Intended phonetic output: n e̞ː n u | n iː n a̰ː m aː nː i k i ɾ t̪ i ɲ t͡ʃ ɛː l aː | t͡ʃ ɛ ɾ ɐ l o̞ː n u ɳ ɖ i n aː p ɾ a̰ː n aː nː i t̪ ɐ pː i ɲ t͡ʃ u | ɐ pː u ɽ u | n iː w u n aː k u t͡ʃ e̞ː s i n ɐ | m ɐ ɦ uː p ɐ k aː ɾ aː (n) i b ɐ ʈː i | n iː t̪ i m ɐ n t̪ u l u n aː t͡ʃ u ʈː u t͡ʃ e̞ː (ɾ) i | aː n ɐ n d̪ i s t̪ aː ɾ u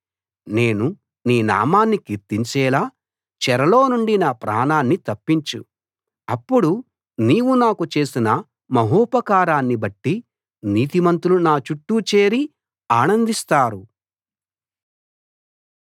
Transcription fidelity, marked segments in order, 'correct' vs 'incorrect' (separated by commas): incorrect, correct